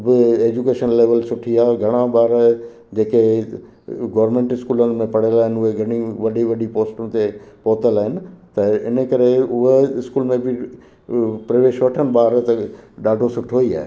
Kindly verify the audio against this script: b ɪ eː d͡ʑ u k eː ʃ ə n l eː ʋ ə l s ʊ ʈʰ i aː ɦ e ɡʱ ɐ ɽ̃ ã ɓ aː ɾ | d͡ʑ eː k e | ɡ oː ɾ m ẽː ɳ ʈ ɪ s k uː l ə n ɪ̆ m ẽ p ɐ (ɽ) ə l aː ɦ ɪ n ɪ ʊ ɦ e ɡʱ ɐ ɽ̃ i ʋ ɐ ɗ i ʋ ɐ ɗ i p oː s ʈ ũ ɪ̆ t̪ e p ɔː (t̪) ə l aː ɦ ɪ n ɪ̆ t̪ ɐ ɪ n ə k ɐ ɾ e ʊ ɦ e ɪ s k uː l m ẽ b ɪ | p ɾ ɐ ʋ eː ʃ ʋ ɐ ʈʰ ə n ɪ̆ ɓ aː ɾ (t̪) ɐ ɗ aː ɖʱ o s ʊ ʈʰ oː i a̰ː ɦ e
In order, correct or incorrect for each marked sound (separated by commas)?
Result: correct, correct, correct